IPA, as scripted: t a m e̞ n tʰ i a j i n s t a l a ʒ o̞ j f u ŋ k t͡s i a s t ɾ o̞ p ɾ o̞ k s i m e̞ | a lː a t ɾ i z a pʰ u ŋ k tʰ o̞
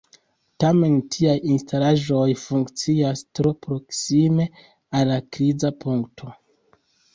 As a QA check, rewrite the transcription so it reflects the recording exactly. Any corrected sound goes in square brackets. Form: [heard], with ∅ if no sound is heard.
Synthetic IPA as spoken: t a m e̞ n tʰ i a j i n s t a l a ʒ o̞ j f u ŋ k t͡s i a s t ɾ o̞ p ɾ o̞ k s i m e̞ | a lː a [k] ɾ i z a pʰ u ŋ k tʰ o̞

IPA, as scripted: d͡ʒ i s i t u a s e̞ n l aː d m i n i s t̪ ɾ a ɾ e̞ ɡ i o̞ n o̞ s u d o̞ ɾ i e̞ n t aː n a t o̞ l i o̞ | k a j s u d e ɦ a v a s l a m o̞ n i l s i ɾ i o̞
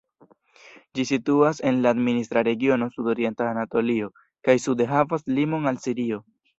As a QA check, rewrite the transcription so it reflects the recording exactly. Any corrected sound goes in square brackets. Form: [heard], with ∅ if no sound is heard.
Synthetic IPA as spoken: d͡ʒ i s i t u a s e̞ n l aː d m i n i s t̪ ɾ a ɾ e̞ ɡ i o̞ n o̞ s u d o̞ ɾ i e̞ n t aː n a t o̞ l i o̞ | k a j s u d e ɦ a v a s l [i] m o̞ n [a] l s i ɾ i o̞

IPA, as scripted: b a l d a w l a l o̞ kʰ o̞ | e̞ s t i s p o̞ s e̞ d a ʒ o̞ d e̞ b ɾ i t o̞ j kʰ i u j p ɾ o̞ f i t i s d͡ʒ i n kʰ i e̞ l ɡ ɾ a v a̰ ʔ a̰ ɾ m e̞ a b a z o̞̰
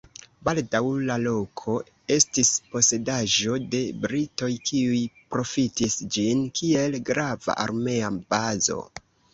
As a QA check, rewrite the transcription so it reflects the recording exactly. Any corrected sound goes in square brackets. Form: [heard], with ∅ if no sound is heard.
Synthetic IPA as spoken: b a l d a w l a l o̞ kʰ o̞ | e̞ s t i s p o̞ s e̞ d a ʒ o̞ d e̞ b ɾ i t o̞ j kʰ i u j p ɾ o̞ f i t i s d͡ʒ i n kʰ i e̞ l ɡ ɾ a v a̰ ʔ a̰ ɾ m e̞ a b a z o̞̰

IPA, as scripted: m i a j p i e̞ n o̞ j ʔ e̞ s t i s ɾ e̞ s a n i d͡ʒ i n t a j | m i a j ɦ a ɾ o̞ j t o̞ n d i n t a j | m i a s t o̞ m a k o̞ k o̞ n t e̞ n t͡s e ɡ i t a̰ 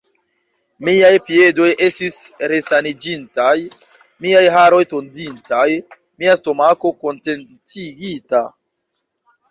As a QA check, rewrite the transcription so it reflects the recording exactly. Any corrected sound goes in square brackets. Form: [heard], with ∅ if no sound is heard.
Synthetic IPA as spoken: m i a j p i e̞ [d] o̞ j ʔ e̞ s t i s ɾ e̞ s a n i d͡ʒ i n t a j | m i a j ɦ a ɾ o̞ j t o̞ n d i n t a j | m i a s t o̞ m a k o̞ k o̞ n t e̞ n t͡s [i] ɡ i t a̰

